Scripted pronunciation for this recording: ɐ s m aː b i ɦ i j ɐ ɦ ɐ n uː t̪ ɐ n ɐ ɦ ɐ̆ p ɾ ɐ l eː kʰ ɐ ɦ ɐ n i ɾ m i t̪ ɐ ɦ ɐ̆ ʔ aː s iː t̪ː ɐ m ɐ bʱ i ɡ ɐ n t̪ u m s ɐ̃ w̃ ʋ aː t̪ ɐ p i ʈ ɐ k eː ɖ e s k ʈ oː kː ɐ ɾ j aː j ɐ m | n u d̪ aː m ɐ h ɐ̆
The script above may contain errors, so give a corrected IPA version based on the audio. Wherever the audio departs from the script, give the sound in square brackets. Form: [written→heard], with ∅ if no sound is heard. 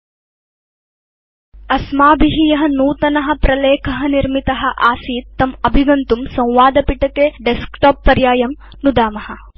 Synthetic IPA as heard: ɐ s m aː b i ɦ i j ɐ ɦ ɐ n uː t̪ ɐ n ɐ ɦ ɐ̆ p ɾ ɐ l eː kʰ ɐ ɦ ɐ n i ɾ m i t̪ ɐ ɦ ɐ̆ ʔ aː s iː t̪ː ɐ m ɐ bʱ i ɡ ɐ n t̪ u m s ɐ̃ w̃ ʋ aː [t̪→d̪] ɐ p i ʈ ɐ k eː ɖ e s k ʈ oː [kː→pː] ɐ ɾ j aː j ɐ m | n u d̪ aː m ɐ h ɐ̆

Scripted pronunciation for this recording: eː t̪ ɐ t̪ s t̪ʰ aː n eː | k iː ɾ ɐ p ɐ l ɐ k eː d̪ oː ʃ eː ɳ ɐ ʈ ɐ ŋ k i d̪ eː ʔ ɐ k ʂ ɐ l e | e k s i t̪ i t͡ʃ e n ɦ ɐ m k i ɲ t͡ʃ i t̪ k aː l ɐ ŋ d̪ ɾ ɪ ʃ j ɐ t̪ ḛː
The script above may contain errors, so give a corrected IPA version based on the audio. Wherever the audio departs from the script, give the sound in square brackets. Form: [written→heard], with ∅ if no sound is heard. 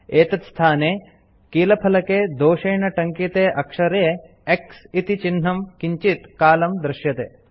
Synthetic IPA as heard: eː t̪ ɐ t̪ s t̪ʰ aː n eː | k iː [ɾ→l] ɐ [p→pʰ] ɐ l ɐ k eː d̪ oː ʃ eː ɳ ɐ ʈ ɐ ŋ k i [d̪→t̪] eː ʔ ɐ k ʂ ɐ [l→ɾ] e | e k s i t̪ i t͡ʃ [e→i] n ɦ ɐ m k i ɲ t͡ʃ i t̪ k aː l ɐ [ŋ→m] d̪ ɾ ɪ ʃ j ɐ t̪ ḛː

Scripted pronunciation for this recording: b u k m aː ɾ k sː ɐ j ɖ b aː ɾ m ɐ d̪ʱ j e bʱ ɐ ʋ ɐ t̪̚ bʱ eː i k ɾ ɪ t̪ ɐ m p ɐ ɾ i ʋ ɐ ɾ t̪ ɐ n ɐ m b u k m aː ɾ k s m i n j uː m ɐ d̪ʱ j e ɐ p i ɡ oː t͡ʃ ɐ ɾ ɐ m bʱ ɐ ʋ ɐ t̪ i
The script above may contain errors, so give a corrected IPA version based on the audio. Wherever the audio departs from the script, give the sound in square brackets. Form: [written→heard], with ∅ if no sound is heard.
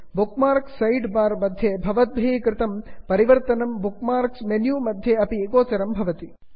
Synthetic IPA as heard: b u k m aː ɾ k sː ɐ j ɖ b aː ɾ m ɐ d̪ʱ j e bʱ ɐ ʋ ɐ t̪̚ bʱ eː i k ɾ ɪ t̪ ɐ m p ɐ ɾ i ʋ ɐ ɾ t̪ ɐ n ɐ m b u k m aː ɾ k s m [i→e] n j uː m ɐ d̪ʱ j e ɐ p i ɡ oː t͡ʃ ɐ ɾ ɐ m bʱ ɐ ʋ ɐ t̪ i

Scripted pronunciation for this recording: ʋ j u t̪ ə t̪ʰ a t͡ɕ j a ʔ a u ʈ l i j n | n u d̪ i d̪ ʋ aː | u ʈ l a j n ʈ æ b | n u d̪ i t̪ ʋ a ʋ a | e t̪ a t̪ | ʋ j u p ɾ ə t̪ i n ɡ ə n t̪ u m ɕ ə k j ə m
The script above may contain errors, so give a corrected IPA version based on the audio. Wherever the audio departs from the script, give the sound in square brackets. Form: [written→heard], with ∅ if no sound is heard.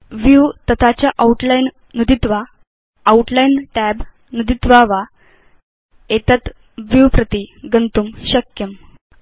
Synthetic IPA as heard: ʋ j u t̪ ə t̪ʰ a t͡ɕ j a ʔ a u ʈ l [i→a] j n | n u d̪ i [d̪→t̪] ʋ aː | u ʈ l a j n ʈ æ b | n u d̪ i t̪ ʋ a ʋ a | e t̪ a t̪ | ʋ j u p ɾ ə t̪ i [n→∅] ɡ ə n t̪ u m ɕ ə k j ə m

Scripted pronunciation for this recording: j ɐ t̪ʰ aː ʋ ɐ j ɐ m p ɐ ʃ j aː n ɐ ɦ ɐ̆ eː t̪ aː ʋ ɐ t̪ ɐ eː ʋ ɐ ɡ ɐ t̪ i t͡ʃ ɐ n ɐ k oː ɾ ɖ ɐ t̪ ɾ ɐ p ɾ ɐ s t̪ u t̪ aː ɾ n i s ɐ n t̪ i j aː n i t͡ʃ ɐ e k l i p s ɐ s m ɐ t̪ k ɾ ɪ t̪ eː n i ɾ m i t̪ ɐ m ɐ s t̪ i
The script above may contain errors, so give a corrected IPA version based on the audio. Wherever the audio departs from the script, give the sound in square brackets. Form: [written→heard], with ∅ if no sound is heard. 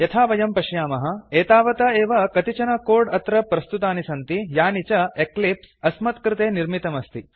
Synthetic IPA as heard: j ɐ t̪ʰ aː ʋ ɐ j ɐ m p ɐ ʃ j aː [n→m] ɐ ɦ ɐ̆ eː t̪ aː ʋ ɐ t̪ ɐ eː ʋ ɐ [ɡ→k] ɐ t̪ i t͡ʃ ɐ n ɐ k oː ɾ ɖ ɐ t̪ ɾ ɐ p ɾ ɐ s t̪ u t̪ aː [ɾ→∅] n i s ɐ n t̪ i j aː n i t͡ʃ ɐ e k l i p s ɐ s m ɐ t̪ k ɾ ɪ t̪ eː n i ɾ m i t̪ ɐ m ɐ s t̪ i

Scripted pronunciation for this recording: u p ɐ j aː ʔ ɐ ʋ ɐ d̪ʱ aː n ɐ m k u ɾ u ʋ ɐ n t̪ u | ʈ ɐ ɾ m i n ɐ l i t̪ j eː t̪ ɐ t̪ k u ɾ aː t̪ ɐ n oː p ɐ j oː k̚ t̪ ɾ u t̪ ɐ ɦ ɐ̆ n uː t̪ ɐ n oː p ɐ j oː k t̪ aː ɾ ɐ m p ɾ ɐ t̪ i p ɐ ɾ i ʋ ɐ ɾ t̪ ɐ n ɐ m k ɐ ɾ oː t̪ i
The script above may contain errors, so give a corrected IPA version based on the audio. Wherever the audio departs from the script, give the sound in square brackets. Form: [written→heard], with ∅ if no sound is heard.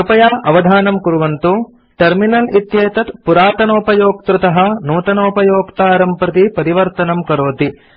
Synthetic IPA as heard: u p ɐ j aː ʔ ɐ ʋ ɐ d̪ʱ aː n ɐ m k u ɾ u ʋ ɐ n t̪ u | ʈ ɐ ɾ m i n ɐ l i t̪ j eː t̪ ɐ t̪ [k→p] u ɾ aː t̪ ɐ n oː p ɐ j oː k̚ t̪ ɾ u t̪ ɐ ɦ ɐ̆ n uː t̪ ɐ n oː p ɐ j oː k t̪ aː ɾ ɐ m p ɾ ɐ t̪ i p ɐ ɾ i ʋ ɐ ɾ t̪ ɐ n ɐ m k ɐ ɾ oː t̪ i

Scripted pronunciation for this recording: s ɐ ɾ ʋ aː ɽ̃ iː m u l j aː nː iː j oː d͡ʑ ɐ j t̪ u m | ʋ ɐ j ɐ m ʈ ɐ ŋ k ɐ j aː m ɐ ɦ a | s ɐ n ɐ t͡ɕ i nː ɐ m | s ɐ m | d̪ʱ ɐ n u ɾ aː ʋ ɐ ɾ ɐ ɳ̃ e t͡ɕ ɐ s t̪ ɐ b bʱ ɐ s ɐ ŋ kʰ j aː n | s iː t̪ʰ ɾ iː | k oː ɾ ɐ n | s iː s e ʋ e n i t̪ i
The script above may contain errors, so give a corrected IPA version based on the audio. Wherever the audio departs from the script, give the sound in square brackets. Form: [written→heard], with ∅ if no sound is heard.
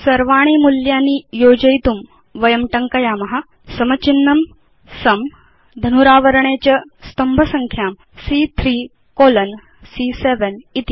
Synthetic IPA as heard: s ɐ ɾ ʋ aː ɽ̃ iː m u l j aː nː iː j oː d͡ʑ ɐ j t̪ u m | ʋ ɐ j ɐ m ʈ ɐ ŋ k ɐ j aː m ɐ ɦ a | s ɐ [n→m] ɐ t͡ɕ i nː ɐ m | s ɐ m | d̪ʱ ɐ n u ɾ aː ʋ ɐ ɾ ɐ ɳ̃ e t͡ɕ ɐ s t̪ ɐ [b→m] bʱ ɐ s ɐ ŋ kʰ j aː [n→m] | s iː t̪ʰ ɾ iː | k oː [ɾ→l] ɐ n | s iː s e ʋ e n i t̪ i

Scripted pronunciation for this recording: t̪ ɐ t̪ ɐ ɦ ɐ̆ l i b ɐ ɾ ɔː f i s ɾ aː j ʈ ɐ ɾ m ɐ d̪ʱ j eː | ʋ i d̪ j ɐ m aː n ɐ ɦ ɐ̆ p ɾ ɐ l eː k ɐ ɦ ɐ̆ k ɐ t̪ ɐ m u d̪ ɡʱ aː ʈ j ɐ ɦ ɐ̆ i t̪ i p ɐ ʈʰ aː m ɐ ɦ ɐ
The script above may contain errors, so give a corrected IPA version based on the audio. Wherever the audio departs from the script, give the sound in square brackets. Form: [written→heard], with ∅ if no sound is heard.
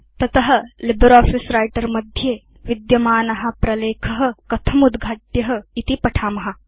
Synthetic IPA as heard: t̪ ɐ t̪ ɐ ɦ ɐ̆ l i b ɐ ɾ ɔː f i s ɾ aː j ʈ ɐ ɾ m ɐ d̪ʱ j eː | ʋ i d̪ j ɐ m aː n ɐ ɦ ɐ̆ p ɾ ɐ l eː [k→kʰ] ɐ ɦ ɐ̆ k ɐ [t̪→t̪ʰ] ɐ m u d̪ ɡʱ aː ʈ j ɐ ɦ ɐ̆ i t̪ i p ɐ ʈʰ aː m ɐ ɦ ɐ

